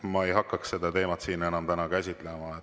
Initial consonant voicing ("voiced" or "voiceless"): voiced